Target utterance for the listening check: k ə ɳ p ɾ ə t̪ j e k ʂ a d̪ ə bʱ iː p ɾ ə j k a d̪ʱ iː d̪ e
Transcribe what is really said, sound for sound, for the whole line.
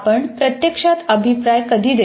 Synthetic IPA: p ə ɳ p ɾ ə t̪ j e k ʂ a t̪ ə bʱ i p ɾ a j k ə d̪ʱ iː d̪ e